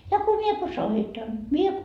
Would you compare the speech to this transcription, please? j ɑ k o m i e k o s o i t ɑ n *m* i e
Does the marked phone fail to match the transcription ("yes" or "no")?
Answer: no